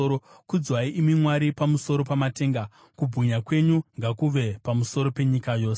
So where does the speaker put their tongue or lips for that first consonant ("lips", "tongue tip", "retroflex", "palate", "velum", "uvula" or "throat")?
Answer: velum